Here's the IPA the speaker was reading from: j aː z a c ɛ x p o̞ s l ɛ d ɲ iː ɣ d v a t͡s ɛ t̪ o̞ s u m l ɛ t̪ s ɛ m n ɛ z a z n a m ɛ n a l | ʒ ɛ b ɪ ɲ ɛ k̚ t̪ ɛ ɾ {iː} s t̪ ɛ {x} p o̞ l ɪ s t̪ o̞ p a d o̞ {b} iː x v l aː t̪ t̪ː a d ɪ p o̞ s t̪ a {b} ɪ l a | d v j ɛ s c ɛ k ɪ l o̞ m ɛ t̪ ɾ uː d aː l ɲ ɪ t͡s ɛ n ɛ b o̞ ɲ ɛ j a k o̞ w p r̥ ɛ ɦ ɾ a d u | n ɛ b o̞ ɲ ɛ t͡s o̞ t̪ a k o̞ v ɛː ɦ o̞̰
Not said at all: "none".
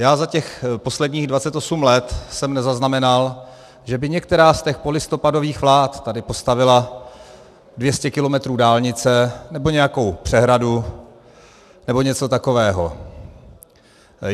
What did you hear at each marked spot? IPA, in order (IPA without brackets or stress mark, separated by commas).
aː, x, v, v